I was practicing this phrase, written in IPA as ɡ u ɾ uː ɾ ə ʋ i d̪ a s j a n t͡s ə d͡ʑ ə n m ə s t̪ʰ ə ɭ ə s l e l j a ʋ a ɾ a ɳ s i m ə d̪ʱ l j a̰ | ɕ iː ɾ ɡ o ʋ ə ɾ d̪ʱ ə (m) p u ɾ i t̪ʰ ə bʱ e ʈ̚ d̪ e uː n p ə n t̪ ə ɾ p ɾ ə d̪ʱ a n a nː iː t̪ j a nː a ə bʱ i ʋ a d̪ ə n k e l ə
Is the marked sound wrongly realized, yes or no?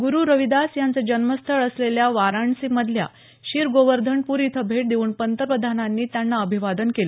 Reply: yes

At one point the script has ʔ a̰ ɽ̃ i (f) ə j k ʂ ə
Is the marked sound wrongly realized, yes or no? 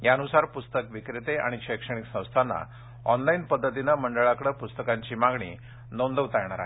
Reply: yes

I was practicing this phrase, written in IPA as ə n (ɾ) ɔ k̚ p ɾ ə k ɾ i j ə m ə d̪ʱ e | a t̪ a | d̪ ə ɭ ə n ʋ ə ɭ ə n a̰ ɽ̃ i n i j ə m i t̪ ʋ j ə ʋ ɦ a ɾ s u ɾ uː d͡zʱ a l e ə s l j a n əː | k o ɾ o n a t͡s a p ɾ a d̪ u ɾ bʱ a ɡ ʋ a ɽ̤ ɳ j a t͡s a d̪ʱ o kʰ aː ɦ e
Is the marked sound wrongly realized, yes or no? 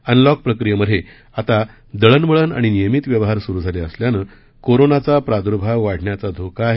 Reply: yes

